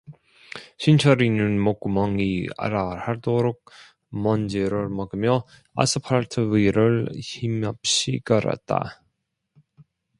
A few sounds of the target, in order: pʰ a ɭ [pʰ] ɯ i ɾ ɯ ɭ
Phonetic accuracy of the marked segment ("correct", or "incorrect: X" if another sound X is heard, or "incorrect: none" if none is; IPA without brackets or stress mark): incorrect: tʰ